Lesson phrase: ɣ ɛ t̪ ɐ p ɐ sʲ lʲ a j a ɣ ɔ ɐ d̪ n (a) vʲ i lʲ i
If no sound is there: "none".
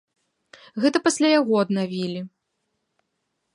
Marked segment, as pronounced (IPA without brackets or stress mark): a